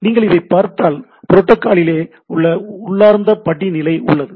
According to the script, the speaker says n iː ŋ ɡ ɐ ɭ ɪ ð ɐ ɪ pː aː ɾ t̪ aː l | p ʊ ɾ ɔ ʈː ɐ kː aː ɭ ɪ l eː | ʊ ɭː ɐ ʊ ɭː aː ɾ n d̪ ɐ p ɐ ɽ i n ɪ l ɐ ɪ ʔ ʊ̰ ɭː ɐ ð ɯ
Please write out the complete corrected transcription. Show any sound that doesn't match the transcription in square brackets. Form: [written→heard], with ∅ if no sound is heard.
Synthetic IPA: n iː ŋ ɡ ɐ ɭ ɪ ð ɐ ɪ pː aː ɾ t̪ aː l | p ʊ ɾ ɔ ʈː ɐ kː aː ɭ ɪ l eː | ʊ ɭː ɐ ʊ ɭː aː ɾ n d̪ ɐ p ɐ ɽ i n ɪ l ɐ ɪ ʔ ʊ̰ ɭː ɐ ð ɯ